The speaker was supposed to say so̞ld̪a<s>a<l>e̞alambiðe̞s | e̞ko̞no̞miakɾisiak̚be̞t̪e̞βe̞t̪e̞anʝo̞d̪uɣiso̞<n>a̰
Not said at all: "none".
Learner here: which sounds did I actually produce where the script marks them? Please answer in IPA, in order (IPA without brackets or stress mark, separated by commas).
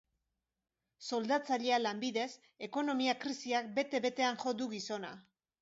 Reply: t͡s, ʎ, n